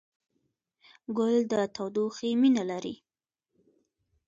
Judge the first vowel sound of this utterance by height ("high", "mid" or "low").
high